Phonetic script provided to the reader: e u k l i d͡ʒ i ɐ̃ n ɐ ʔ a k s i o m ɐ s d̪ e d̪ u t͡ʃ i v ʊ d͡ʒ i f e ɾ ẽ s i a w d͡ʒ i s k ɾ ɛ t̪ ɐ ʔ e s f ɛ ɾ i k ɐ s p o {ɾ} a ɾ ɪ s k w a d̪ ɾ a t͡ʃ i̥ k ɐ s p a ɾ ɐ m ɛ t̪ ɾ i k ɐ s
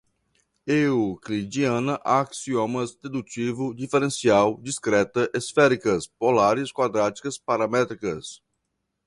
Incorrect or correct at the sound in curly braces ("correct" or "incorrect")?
incorrect